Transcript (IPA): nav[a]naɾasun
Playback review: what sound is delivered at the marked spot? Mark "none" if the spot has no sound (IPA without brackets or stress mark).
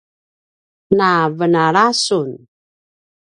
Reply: ə